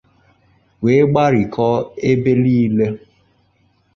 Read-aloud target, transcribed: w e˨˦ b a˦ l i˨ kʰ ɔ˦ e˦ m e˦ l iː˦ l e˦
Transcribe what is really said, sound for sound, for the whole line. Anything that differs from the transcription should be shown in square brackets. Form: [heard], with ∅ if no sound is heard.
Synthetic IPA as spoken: w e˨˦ [ɡ͡b] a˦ [ɾ] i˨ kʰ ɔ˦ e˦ [b] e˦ l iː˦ l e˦